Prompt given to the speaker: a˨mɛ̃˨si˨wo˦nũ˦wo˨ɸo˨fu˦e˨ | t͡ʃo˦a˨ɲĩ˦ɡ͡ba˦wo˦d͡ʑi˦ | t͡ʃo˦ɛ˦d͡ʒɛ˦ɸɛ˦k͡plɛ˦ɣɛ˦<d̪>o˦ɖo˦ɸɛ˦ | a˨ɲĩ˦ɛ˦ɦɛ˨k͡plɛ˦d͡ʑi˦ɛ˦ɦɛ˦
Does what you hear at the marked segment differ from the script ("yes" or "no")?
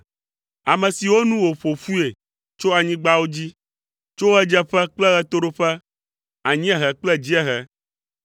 yes